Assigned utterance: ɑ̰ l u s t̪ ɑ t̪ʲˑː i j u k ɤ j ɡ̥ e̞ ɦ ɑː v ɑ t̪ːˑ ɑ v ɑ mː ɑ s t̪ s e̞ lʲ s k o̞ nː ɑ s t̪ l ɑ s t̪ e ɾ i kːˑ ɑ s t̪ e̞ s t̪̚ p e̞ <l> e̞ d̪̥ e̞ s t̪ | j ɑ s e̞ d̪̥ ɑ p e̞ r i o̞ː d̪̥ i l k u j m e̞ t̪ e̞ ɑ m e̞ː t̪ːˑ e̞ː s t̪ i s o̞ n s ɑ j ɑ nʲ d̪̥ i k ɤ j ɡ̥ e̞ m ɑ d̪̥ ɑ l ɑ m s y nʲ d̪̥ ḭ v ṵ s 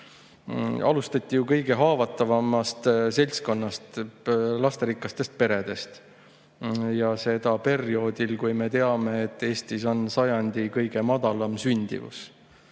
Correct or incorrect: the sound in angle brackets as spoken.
incorrect: ɾ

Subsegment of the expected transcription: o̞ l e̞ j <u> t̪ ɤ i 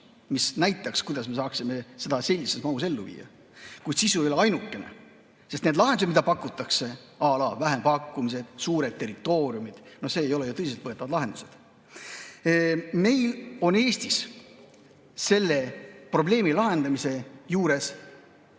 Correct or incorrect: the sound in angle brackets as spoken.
correct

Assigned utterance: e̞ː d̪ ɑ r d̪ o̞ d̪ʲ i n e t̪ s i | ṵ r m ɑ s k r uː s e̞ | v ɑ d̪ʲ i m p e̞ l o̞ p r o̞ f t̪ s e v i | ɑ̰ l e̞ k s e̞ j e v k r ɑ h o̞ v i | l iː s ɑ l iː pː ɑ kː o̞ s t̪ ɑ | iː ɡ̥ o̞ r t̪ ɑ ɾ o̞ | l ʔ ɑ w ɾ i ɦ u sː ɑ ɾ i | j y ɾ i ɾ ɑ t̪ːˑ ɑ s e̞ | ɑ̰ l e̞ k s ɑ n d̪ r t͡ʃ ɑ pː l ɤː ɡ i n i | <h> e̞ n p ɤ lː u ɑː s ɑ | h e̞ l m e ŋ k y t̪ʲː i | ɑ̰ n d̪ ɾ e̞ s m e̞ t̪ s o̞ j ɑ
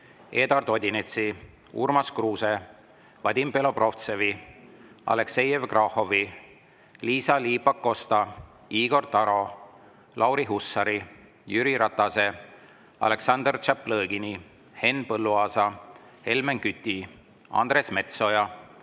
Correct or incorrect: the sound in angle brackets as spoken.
correct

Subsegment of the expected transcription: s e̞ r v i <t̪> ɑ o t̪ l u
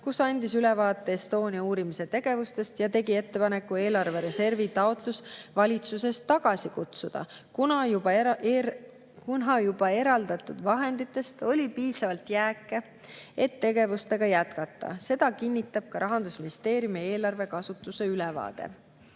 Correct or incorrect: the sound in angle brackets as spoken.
correct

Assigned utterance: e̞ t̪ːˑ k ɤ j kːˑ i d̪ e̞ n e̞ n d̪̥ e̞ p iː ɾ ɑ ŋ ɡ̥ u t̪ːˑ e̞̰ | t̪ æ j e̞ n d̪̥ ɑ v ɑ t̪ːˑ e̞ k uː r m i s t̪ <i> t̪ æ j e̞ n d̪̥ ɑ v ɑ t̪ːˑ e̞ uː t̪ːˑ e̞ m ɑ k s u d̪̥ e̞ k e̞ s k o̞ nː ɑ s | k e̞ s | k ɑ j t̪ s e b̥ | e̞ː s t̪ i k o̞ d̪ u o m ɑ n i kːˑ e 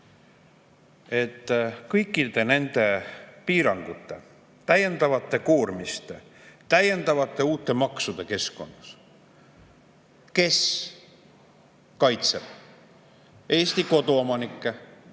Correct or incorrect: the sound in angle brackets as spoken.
incorrect: e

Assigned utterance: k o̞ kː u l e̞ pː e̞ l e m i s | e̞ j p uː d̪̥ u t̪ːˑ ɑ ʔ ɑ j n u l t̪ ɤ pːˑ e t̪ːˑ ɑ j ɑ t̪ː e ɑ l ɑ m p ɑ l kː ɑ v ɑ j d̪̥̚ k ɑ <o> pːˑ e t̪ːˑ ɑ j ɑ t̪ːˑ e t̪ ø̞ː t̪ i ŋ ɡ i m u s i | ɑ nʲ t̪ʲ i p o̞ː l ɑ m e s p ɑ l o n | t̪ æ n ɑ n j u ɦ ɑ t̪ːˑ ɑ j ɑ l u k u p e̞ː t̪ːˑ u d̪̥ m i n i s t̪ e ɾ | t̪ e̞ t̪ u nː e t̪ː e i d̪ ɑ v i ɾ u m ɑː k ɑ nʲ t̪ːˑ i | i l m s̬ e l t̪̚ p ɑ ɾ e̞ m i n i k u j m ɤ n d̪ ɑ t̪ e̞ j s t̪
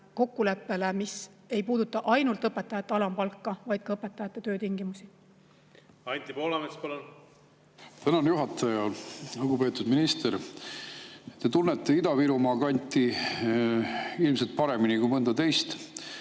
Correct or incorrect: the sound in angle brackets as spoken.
incorrect: ɤ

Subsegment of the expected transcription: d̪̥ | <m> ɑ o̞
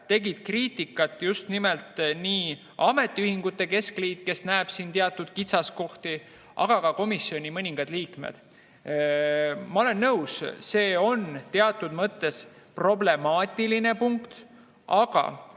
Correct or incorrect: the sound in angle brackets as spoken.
correct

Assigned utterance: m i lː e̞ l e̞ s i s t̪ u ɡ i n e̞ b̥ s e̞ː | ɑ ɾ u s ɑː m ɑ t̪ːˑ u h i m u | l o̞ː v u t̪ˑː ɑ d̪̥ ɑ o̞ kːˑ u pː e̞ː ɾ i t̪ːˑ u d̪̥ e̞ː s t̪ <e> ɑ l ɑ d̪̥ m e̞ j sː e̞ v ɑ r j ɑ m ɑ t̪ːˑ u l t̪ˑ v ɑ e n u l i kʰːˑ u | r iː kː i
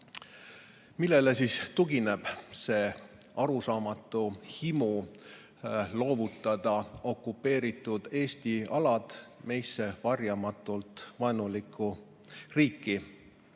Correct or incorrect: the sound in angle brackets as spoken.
incorrect: i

